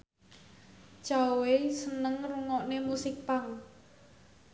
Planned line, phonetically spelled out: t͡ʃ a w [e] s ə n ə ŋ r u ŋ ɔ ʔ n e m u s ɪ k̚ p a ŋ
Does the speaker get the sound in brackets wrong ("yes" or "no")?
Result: no